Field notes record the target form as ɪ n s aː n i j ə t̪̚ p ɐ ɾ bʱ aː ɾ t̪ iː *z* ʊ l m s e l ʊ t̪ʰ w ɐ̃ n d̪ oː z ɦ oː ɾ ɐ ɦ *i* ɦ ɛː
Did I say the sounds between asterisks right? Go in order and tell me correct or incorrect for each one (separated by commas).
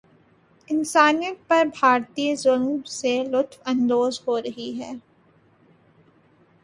correct, correct